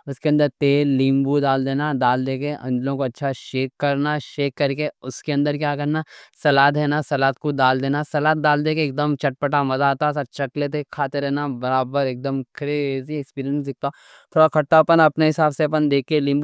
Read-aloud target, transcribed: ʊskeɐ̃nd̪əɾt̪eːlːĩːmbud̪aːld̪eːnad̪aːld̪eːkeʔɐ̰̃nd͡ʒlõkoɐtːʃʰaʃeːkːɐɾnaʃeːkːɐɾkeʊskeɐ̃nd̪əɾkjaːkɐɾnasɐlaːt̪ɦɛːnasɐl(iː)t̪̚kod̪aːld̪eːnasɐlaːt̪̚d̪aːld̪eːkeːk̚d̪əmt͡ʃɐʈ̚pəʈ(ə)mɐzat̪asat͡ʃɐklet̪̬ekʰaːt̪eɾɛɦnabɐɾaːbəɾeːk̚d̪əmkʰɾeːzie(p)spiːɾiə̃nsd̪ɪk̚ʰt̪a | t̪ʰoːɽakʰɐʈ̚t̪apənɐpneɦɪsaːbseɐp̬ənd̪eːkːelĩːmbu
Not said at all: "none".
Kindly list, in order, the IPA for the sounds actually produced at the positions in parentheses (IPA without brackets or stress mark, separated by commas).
aː, a, k